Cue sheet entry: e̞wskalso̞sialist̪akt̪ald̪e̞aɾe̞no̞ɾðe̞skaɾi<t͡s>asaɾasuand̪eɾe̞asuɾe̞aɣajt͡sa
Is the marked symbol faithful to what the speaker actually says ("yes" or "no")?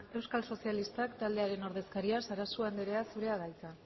no